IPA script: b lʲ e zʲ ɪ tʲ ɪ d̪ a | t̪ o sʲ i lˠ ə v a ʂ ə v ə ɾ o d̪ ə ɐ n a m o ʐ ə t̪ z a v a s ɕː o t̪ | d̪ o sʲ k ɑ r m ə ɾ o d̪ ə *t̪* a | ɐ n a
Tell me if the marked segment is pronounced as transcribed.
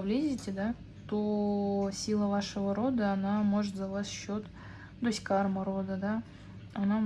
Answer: no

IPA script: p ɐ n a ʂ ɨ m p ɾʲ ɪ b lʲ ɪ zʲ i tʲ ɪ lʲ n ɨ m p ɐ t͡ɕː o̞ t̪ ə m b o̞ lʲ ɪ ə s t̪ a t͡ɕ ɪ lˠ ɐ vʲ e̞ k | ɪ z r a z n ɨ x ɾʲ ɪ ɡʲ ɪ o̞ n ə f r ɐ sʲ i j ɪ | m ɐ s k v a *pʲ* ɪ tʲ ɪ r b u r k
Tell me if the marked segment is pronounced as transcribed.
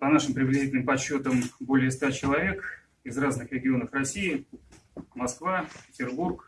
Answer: yes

